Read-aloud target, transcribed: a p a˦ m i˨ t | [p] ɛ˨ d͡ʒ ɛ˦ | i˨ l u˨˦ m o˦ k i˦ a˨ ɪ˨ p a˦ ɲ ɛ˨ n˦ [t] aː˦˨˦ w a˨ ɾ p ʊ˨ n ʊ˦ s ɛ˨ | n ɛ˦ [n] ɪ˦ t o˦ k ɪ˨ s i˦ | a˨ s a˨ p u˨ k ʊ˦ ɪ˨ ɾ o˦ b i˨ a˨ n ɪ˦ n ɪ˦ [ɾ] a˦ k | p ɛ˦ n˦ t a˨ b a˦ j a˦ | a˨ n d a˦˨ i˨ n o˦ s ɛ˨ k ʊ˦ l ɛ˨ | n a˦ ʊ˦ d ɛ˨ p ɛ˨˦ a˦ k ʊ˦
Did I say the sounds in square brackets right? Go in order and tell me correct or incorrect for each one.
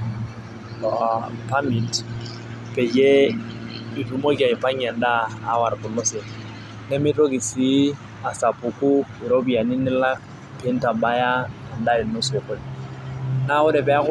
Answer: correct, incorrect: d, incorrect: m, incorrect: l

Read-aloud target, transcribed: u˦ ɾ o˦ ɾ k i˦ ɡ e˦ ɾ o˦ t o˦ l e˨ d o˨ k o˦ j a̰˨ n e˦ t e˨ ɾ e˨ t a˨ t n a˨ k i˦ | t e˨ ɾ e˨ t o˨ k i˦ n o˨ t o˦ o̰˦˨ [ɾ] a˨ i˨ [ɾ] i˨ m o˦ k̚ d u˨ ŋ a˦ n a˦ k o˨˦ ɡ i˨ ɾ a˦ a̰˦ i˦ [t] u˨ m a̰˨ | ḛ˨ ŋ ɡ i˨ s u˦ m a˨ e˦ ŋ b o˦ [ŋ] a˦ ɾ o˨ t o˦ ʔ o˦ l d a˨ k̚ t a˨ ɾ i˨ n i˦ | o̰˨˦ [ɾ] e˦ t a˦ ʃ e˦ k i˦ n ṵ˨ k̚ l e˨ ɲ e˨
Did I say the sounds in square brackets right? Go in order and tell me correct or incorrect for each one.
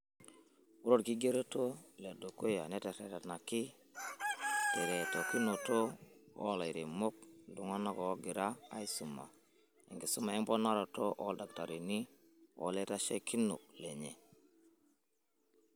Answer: incorrect: l, correct, incorrect: s, incorrect: n, incorrect: l

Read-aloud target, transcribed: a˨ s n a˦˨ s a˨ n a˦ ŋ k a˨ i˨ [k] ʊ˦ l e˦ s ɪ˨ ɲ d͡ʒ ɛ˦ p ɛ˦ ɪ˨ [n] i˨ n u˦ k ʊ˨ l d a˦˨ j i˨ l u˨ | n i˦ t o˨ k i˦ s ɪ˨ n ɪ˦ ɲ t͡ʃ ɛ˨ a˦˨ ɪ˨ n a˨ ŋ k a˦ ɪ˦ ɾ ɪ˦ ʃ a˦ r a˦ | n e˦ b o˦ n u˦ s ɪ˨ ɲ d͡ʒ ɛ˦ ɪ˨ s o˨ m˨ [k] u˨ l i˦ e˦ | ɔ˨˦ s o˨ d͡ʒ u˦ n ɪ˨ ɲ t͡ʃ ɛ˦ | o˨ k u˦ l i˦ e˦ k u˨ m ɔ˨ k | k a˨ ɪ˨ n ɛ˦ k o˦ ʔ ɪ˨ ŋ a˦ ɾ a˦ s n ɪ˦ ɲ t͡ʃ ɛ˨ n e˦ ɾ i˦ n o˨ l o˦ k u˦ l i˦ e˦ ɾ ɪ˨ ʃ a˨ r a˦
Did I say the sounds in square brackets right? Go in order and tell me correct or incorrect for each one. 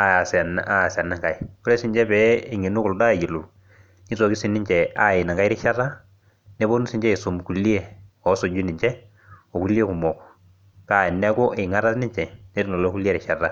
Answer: correct, incorrect: ŋ, correct

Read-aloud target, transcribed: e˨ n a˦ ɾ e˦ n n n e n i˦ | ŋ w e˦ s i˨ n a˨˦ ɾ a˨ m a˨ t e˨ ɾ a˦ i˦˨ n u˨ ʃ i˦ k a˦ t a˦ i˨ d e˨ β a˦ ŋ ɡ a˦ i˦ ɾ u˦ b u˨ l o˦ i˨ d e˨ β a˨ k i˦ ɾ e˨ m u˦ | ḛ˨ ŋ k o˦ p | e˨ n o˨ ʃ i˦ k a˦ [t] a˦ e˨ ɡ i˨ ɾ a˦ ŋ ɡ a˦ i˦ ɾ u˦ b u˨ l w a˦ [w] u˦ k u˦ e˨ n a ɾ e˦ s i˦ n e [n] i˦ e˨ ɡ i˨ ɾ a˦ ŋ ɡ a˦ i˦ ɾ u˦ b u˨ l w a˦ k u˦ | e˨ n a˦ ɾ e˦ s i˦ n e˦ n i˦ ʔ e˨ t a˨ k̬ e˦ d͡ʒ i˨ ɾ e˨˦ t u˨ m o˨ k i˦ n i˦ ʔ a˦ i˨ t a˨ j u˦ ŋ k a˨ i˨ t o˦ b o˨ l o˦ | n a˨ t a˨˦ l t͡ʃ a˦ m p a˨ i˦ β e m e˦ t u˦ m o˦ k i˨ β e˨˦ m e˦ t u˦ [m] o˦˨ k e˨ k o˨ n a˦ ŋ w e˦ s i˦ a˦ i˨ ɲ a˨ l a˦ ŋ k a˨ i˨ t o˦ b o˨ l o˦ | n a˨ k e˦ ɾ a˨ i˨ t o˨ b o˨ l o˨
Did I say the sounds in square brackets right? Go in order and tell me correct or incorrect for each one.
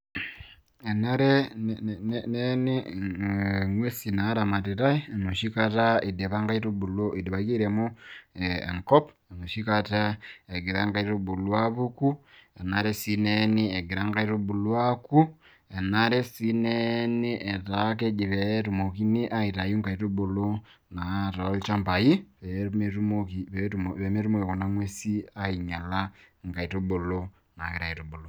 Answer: correct, incorrect: β, correct, correct

